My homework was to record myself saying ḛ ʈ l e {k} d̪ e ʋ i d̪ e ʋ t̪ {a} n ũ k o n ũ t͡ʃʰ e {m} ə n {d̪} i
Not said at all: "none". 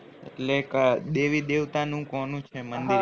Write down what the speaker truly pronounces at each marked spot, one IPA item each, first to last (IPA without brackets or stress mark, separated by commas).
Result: k, a, m, d̪